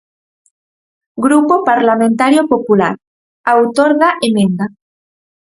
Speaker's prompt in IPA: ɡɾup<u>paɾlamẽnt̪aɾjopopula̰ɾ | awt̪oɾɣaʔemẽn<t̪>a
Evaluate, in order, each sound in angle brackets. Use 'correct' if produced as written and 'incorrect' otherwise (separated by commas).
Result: incorrect, incorrect